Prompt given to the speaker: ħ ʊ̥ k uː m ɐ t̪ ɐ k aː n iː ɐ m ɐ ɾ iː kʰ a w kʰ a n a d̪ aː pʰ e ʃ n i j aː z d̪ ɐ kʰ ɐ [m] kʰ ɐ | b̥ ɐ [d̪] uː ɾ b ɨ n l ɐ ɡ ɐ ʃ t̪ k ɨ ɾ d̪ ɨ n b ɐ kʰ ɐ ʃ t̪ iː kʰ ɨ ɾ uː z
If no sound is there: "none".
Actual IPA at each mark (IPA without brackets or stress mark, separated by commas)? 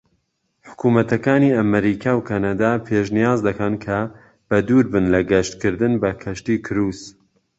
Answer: n, d̪